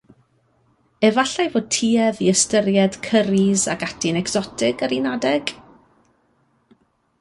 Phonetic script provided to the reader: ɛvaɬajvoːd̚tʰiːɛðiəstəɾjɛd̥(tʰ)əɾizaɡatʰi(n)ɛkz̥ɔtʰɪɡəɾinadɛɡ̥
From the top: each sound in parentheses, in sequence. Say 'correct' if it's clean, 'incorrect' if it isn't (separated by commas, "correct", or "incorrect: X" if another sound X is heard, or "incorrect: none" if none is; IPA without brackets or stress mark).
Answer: incorrect: kʰ, correct